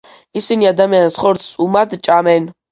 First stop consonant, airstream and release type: plain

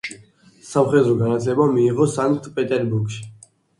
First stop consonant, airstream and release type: plain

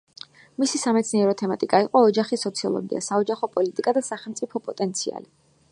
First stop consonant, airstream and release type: plain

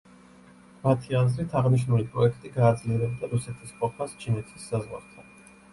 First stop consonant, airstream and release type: aspirated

